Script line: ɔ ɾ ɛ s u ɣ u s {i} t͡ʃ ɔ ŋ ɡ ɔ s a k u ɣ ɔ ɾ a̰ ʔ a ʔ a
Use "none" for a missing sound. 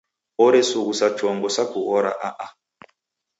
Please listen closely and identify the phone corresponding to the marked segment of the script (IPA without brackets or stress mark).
a